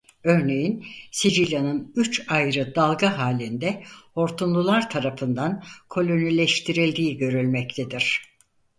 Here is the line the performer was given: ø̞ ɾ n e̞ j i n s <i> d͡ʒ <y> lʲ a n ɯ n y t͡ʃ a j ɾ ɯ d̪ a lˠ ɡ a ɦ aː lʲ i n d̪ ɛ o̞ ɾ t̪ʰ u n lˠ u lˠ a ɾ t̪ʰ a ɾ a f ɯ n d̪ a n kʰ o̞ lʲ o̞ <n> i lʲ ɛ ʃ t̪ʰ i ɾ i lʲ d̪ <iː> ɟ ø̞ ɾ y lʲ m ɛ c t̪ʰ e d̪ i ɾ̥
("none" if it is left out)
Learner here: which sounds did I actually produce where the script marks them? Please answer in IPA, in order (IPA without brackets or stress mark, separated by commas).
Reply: i, i, n, iː